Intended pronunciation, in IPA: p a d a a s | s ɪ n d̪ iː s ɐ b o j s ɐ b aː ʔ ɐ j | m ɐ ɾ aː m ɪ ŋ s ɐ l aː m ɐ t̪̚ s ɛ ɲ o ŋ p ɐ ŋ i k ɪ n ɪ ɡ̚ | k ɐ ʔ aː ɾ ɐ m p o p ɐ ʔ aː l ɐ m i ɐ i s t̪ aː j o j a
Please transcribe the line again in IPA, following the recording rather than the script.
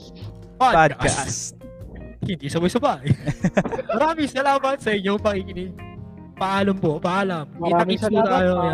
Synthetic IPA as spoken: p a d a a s | h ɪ n d̪ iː s ɐ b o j s ɐ b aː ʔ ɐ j | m ɐ ɾ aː m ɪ ŋ s ɐ l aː m ɐ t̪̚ s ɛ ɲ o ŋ p ɐ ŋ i k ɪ n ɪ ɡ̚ | p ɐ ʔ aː l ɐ m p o p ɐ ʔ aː l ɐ m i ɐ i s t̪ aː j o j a